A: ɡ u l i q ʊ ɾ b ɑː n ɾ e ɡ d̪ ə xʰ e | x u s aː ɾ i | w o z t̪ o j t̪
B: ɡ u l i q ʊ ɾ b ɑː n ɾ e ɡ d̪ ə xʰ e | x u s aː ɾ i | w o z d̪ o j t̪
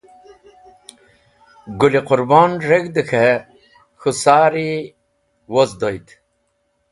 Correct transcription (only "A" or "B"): B